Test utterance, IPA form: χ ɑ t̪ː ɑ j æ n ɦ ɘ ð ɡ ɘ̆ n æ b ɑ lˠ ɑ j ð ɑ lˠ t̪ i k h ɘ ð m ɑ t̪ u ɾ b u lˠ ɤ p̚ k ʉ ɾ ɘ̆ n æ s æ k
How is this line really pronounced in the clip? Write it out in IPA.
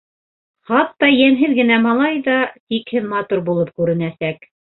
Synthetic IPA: χ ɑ t̪ː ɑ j æ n ɦ ɘ ð ɡ ɘ̆ n æ m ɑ lˠ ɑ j ð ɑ t̪ i k h ɘ ð m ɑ t̪ u ɾ b u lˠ ɤ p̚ k ʉ ɾ ɘ̆ n æ s æ k